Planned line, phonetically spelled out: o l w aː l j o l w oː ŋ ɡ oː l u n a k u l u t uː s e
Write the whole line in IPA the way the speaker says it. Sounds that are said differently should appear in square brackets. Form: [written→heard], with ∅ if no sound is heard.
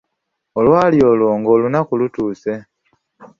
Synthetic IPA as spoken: o l w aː l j o l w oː ŋ ɡ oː l u n a k u l u t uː s e